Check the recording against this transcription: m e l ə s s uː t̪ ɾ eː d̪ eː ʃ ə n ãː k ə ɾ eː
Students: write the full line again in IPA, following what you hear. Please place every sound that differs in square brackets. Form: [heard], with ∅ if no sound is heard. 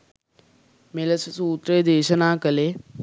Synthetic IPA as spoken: m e l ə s s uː t̪ ɾ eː d̪ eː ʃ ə n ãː k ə [l] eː

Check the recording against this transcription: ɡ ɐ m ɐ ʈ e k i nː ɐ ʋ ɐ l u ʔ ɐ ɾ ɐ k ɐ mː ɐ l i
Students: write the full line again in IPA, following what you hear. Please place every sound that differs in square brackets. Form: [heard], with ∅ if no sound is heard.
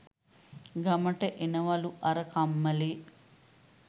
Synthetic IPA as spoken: ɡ ɐ m ɐ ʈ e [ʔ] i [n] ɐ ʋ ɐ l u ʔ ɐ ɾ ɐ k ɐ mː ɐ l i

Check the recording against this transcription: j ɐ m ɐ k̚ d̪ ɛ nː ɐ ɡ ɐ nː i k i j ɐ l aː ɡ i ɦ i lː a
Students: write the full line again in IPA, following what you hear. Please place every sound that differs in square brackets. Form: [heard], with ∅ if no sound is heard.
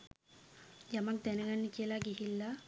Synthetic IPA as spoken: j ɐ m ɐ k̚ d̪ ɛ [n] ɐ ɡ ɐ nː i k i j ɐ l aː ɡ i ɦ i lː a

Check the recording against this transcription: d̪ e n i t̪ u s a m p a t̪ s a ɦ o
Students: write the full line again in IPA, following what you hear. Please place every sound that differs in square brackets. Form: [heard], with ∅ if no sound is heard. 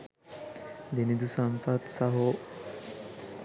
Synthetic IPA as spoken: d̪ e n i [d̪] u s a m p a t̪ s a ɦ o

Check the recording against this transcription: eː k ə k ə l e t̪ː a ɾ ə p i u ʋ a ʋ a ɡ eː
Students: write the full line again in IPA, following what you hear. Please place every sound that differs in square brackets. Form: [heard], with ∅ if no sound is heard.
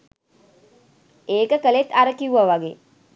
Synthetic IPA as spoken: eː k ə k ə l e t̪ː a ɾ ə [k] i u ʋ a ʋ a ɡ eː

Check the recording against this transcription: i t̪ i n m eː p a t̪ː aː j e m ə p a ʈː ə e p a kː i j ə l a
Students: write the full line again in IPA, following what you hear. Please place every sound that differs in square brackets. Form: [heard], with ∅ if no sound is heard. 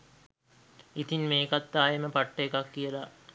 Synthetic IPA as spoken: i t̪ i n m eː [k] a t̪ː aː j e m ə p a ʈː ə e [k] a kː i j ə l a

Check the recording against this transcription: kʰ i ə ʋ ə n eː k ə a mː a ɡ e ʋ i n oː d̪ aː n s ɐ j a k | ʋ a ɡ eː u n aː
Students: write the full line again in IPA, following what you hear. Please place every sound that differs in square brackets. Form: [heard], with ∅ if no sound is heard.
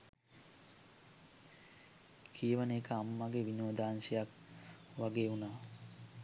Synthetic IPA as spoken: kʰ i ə ʋ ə n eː k ə a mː a ɡ e ʋ i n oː d̪ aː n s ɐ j a k | ʋ a ɡ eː u n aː

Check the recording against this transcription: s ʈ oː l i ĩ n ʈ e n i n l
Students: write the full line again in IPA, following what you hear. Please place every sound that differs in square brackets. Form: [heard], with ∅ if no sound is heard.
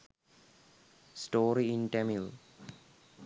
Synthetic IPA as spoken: s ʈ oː [ɾ] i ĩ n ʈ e [m] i [∅] l

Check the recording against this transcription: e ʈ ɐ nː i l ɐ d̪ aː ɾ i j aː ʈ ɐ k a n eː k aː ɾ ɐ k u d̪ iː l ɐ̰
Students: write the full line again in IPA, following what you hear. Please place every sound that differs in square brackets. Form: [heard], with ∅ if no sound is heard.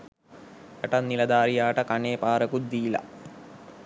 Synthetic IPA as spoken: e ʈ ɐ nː i l ɐ d̪ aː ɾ i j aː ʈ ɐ k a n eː [p] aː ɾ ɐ k u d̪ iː l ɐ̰

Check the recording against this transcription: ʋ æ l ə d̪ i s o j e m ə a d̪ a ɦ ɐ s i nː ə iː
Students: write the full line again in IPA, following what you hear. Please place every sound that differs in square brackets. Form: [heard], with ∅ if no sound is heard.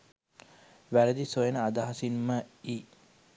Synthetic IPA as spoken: ʋ æ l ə d̪ i s o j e [n] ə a d̪ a ɦ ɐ s i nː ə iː

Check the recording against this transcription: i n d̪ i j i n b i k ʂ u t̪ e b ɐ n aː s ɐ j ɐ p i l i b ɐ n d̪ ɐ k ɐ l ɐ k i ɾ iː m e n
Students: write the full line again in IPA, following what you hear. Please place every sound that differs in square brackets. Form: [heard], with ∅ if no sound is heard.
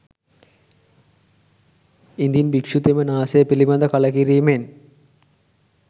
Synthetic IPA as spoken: i n d̪ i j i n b i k ʂ u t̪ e [m] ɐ n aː s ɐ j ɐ p i l i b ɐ n d̪ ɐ k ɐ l ɐ k i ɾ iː m e n

